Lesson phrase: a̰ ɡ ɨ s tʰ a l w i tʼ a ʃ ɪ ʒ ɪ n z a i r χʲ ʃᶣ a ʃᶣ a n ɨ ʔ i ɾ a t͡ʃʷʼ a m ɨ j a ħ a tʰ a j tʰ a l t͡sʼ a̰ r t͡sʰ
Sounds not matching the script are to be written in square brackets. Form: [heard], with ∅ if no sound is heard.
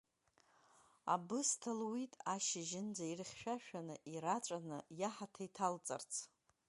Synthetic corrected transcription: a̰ [b] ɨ s tʰ a l w i tʼ a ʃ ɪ ʒ ɪ n [d͡z] a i r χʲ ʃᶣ a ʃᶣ a n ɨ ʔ i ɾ a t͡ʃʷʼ a [n] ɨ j a ħ a tʰ a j tʰ a l t͡sʼ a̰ r t͡sʰ

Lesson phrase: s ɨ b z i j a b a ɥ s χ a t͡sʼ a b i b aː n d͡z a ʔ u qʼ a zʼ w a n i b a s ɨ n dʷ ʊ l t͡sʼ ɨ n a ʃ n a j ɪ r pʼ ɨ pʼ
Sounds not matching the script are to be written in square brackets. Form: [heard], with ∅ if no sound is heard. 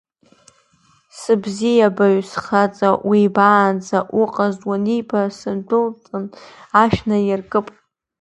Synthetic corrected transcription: s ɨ b z i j a b a ɥ s χ a t͡sʼ a [w] i b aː n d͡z a ʔ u qʼ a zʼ w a n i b a s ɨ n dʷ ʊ l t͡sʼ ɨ n a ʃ n a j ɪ r [kʼ] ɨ pʼ

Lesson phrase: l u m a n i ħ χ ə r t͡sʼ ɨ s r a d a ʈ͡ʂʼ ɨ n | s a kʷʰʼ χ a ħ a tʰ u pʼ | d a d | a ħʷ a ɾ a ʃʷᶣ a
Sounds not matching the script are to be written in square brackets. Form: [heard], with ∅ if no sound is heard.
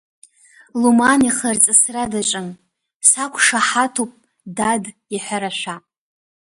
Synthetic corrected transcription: l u m a n i [∅] χ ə r t͡sʼ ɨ s r a d a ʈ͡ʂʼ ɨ n | s a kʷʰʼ [ʂ] a ħ a tʰ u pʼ | d a d | [i] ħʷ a ɾ a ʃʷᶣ a

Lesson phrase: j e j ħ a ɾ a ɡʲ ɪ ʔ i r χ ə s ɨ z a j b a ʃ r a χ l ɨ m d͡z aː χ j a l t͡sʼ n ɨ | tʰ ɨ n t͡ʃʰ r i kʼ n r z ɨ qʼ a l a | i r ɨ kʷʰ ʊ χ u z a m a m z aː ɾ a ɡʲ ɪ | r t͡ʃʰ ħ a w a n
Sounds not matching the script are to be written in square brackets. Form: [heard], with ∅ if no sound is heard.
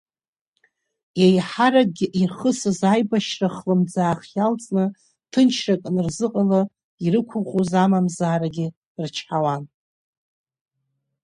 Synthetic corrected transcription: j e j ħ a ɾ a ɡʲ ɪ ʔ i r χ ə s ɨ z a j b a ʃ r a χ l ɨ m d͡z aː χ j a l t͡sʼ n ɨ | tʰ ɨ n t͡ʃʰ r [a] kʼ n r z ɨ qʼ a l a | i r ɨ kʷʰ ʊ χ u z a m a m z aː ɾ a ɡʲ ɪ | r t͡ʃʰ ħ a w a n

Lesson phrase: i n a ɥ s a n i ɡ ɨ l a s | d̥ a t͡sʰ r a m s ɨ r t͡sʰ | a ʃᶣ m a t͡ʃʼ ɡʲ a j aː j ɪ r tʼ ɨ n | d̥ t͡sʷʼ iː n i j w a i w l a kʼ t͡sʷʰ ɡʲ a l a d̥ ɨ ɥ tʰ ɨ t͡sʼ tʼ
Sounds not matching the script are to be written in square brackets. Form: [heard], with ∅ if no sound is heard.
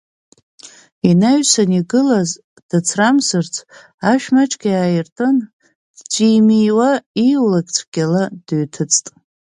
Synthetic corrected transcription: i n a ɥ s a n i ɡ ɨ l a [z] | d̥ a t͡sʰ r a m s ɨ r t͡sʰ | a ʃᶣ m a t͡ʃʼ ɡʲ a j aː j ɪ r tʼ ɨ n | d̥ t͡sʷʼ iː [m] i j w a i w l a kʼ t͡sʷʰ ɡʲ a l a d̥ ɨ ɥ tʰ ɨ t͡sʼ tʼ

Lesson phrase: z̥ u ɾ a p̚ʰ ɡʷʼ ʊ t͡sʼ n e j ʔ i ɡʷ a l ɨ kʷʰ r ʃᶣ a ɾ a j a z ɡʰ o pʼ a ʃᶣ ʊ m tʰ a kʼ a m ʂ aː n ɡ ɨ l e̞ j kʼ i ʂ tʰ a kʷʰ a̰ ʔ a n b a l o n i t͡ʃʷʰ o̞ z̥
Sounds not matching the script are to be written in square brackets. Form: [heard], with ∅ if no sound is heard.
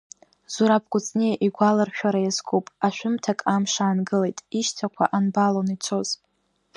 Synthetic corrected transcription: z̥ u ɾ a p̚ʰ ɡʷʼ ʊ t͡sʼ n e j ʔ i ɡʷ a l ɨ [∅] r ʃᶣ a ɾ a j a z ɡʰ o pʼ a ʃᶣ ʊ m tʰ a kʼ a m ʂ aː n ɡ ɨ l e̞ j [tʼ] i [ʃ] tʰ a kʷʰ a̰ ʔ a n b a l o n i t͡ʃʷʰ o̞ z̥

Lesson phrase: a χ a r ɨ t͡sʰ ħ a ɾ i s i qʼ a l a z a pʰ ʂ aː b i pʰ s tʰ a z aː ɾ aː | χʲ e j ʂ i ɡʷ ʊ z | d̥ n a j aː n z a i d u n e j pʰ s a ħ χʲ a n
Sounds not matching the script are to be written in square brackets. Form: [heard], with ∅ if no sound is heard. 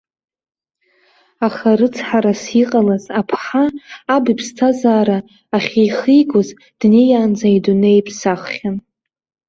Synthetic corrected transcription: a χ a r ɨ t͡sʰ ħ a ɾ [a] s i qʼ a l a z a pʰ [ħ] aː b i pʰ s tʰ a z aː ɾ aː | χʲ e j [χ] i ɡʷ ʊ z | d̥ n [e] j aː n [d͡z] a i d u n e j pʰ s a [χ] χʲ a n

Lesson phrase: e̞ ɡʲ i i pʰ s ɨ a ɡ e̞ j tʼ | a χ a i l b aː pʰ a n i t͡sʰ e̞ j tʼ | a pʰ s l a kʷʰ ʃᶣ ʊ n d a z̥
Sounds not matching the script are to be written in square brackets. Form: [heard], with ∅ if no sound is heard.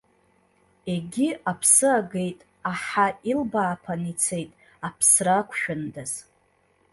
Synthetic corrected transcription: e̞ ɡʲ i [a] pʰ s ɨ a ɡ e̞ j tʼ | a [ħ] a i l b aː pʰ a n i t͡sʰ e̞ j tʼ | a pʰ s [r] a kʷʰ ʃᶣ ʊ n d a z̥

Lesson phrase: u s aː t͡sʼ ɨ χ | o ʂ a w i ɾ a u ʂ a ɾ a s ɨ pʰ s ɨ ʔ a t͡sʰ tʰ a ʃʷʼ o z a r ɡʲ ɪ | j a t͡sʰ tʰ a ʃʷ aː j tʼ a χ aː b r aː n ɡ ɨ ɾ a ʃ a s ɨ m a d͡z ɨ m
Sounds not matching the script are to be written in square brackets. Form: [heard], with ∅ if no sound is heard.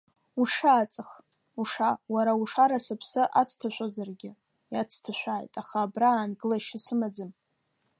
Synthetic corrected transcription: u [ʂ] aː t͡sʼ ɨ χ | [u] ʂ a w [a] ɾ a u ʂ a ɾ a s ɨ pʰ s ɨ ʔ a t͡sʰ tʰ a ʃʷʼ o z a r ɡʲ ɪ | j a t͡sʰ tʰ a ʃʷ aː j tʼ a χ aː b r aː n ɡ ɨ [l] a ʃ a s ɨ m a d͡z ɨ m

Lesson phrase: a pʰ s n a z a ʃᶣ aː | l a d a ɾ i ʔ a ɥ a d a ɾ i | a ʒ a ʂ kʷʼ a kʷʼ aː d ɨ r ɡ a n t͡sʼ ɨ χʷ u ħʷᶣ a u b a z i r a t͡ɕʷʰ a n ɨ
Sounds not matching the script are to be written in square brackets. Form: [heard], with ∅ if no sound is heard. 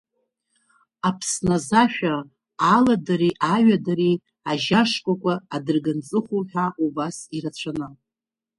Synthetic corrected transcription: a pʰ s n a z a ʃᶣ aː | l a d a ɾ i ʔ a ɥ a d a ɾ i | a ʒ a ʂ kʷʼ a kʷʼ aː d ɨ r ɡ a n t͡sʼ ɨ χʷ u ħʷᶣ a u b a [s] i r a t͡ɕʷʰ a n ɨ

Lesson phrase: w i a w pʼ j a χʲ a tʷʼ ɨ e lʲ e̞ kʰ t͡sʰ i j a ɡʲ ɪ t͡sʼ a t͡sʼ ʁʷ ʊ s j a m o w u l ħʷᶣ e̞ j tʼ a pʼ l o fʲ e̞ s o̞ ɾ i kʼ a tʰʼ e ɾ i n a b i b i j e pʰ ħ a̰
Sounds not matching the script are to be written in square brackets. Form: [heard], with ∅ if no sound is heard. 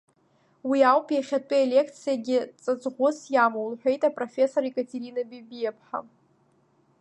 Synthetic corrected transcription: w i a w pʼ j a χʲ a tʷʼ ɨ e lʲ e̞ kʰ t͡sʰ i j a ɡʲ ɪ t͡sʼ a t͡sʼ ʁʷ ʊ s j a m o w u l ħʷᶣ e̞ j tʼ a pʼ [r] o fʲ e̞ s o̞ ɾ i kʼ a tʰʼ e ɾ i n a b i b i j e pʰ ħ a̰

